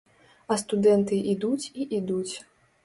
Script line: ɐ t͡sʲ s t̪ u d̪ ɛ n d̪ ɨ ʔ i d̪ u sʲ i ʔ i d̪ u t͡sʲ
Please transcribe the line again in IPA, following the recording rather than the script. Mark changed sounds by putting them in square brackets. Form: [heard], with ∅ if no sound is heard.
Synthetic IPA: ɐ [∅] s t̪ u d̪ ɛ n [t̪] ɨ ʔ i d̪ u [t͡sʲ] i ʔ i d̪ u t͡sʲ